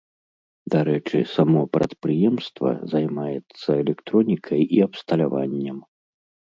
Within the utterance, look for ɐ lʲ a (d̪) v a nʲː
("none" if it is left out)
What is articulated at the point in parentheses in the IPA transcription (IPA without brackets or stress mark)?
none